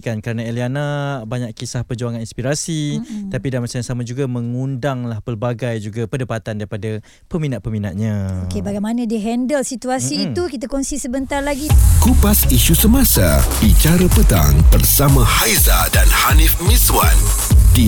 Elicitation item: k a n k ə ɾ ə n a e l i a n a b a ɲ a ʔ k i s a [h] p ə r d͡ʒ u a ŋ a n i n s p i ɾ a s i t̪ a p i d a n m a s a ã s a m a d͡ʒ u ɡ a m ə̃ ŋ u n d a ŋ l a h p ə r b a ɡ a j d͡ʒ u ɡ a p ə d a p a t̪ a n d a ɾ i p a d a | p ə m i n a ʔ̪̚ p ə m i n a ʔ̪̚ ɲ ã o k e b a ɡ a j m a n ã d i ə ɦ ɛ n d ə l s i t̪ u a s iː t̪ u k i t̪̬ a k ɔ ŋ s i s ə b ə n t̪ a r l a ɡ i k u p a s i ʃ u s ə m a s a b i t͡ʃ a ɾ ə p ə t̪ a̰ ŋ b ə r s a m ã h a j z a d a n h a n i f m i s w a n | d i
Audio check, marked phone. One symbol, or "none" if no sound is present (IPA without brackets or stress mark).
h